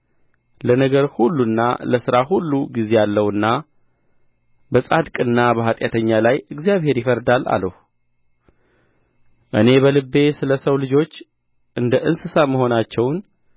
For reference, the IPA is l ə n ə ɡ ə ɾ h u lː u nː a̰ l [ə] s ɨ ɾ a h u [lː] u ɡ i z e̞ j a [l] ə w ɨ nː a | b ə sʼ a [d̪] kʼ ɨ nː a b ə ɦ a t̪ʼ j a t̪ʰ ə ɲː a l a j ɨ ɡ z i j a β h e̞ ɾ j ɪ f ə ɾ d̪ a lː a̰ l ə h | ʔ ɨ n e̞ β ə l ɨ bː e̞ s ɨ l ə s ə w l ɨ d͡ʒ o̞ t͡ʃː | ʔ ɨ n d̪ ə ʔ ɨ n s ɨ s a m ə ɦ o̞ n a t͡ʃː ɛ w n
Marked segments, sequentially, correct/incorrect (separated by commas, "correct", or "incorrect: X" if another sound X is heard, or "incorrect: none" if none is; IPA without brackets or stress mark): correct, correct, incorrect: lː, correct